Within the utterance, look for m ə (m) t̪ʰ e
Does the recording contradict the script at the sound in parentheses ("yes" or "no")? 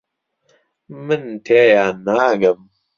yes